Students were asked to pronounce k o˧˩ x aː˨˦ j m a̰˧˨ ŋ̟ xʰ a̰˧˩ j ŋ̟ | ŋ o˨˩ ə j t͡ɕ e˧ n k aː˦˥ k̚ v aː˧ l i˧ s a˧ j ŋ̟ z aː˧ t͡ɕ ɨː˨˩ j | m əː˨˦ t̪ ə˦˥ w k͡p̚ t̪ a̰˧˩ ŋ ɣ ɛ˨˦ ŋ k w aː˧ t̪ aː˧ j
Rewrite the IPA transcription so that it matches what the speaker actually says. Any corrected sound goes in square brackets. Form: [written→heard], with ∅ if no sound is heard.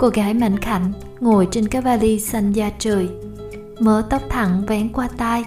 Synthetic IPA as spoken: k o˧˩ [x→ɣ] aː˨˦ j m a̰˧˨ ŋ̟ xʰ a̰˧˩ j ŋ̟ | ŋ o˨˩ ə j t͡ɕ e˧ n k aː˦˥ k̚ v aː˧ l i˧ s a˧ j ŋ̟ z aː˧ t͡ɕ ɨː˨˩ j | m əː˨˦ t̪ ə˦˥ w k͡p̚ [t̪→t̪ʰ] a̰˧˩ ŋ [ɣ→v] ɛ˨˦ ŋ k w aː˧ t̪ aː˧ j